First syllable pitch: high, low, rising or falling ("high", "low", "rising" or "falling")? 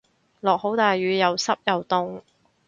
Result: low